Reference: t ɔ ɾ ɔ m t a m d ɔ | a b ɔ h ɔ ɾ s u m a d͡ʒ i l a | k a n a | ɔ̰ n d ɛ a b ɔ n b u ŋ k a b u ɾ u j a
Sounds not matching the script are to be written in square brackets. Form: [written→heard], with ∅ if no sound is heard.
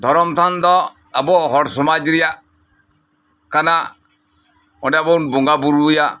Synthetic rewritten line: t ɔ ɾ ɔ m t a [m→n] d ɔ | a b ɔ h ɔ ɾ s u m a d͡ʒ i [l→ɾ] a | k a n a | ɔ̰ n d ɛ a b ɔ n b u ŋ [k→ɡ] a b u ɾ u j a